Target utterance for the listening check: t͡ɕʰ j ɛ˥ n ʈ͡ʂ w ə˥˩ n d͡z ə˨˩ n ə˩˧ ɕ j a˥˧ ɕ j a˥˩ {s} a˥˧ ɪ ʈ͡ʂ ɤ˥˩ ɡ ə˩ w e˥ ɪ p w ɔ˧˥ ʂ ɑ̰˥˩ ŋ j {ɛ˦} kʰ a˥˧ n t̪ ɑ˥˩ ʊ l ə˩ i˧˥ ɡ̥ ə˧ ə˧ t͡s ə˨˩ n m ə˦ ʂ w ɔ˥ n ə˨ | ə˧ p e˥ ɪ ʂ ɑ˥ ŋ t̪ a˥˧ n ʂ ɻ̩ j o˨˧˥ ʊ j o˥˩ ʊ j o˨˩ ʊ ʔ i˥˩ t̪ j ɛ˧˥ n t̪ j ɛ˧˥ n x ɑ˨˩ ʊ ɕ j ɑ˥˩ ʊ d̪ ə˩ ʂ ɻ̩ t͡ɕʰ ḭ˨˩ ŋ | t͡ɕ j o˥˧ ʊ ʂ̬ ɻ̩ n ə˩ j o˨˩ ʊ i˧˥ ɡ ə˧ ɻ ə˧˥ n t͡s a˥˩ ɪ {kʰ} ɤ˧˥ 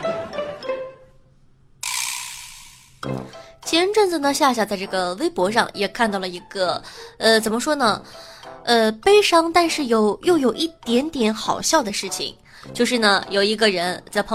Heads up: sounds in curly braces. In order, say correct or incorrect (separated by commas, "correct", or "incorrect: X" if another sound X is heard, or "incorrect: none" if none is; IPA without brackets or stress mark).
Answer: incorrect: t͡s, incorrect: ɛ˨˩, incorrect: pʰ